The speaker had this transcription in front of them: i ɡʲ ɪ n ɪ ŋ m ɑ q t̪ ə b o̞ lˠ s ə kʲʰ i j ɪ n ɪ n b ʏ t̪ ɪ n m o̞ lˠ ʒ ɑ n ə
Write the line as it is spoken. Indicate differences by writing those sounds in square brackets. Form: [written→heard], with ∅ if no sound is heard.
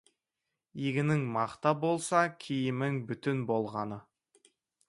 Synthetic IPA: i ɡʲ ɪ n ɪ ŋ m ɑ q t̪ [ə→ɑ] b o̞ lˠ s [ə→ɑ] kʲʰ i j ɪ [n→m] ɪ [n→ŋ] b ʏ t̪ ɪ n [m→b] o̞ lˠ [ʒ→ʁ] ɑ n ə